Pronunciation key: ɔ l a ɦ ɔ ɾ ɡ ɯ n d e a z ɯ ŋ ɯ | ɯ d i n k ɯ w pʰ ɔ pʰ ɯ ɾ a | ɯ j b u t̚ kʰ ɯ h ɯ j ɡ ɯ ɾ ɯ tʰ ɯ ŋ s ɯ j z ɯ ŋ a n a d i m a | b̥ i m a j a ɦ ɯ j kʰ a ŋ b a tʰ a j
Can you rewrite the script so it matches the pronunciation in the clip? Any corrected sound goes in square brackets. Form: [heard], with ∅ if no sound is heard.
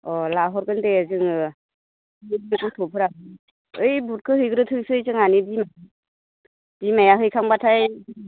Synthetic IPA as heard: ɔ l a ɦ ɔ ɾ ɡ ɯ n d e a z ɯ ŋ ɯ | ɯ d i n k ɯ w [tʰ] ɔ pʰ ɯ ɾ a | ɯ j b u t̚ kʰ ɯ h ɯ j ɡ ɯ ɾ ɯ tʰ ɯ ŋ s ɯ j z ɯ ŋ a n [i] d i m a | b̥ i m a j a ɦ ɯ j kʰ a ŋ b a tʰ a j